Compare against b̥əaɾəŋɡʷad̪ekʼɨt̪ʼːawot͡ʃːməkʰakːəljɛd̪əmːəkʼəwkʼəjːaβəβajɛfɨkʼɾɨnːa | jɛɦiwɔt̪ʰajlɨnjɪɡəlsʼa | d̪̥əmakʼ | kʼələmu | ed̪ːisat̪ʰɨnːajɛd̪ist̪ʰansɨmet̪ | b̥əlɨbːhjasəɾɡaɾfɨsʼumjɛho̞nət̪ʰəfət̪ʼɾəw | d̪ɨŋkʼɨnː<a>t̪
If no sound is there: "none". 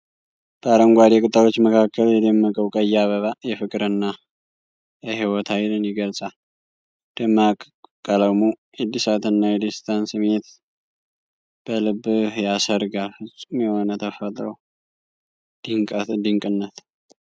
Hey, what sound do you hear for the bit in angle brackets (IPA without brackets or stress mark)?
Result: ə